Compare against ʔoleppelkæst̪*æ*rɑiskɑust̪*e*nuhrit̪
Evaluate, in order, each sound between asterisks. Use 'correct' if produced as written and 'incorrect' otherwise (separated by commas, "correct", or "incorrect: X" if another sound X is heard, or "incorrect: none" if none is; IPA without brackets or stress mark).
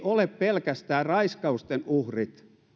incorrect: æː, correct